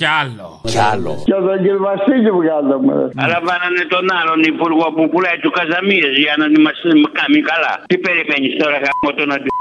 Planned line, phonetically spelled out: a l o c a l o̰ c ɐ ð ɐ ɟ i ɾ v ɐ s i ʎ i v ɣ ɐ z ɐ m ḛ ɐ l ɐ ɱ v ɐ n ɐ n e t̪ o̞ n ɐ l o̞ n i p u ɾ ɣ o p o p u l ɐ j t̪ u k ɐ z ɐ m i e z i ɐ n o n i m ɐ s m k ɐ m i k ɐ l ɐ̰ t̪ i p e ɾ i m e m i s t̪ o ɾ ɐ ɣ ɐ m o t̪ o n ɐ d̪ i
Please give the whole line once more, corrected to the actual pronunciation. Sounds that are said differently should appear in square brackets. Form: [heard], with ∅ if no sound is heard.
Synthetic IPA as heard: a l o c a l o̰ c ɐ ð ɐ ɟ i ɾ v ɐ s i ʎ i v ɣ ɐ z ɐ m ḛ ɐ l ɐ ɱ v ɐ n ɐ n e t̪ o̞ n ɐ l o̞ n i p u ɾ ɣ o p [u] p u l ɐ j t̪ u k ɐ z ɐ m i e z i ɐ n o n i m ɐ s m k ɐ m i k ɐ l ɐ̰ t̪ i p e ɾ i m e [ɲ] i s t̪ o ɾ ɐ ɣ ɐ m o t̪ o n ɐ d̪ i